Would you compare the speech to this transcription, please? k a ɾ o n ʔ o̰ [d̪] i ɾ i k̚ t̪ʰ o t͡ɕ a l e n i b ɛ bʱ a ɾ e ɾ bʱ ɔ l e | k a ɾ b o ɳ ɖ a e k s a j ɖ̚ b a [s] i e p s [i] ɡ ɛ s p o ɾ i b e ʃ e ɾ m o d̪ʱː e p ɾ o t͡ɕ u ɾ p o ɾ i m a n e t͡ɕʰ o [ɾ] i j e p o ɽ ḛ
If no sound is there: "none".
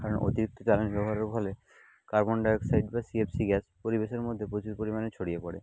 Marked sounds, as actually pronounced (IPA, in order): t̪, s, i, ɽ

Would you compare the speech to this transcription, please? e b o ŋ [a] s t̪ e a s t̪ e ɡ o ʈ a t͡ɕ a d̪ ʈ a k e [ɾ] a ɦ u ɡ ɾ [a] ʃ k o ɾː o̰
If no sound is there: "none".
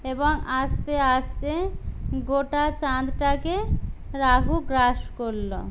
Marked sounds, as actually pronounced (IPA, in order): a, ɾ, a

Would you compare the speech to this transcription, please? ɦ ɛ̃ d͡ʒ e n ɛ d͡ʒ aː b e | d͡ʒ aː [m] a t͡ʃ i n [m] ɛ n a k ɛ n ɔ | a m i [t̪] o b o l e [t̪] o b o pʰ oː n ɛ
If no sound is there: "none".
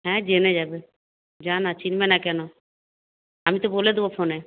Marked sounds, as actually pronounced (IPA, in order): n, m, t̪, d̪

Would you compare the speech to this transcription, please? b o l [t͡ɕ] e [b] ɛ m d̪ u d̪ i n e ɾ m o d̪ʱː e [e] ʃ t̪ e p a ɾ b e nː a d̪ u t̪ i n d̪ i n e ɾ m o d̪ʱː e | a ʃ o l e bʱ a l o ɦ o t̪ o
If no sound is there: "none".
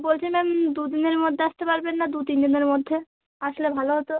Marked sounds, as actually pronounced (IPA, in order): t͡ɕʰ, m, a

